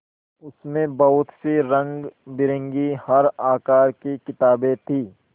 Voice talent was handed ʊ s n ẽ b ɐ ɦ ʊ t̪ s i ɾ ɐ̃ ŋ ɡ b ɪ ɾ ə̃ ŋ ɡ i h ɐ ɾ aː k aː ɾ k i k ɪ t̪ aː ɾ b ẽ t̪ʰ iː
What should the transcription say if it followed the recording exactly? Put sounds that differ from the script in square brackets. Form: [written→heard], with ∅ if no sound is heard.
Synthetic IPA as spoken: ʊ s [n→m] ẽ b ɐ ɦ ʊ t̪ s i ɾ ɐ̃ ŋ ɡ b ɪ ɾ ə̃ ŋ ɡ i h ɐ ɾ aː k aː ɾ k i k ɪ t̪ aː [ɾ→∅] b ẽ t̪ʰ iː